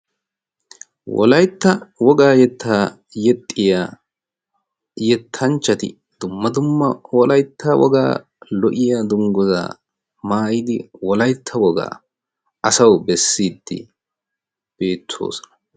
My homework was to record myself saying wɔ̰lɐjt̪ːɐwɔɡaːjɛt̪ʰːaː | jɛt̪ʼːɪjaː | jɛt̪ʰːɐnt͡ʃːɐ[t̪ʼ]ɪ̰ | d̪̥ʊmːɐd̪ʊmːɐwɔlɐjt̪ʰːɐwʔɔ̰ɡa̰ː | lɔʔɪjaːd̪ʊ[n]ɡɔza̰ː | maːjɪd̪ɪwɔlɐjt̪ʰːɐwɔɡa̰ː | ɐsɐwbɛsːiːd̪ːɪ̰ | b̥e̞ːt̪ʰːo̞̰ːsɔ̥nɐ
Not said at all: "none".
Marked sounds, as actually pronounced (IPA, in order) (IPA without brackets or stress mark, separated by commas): t̪, ŋ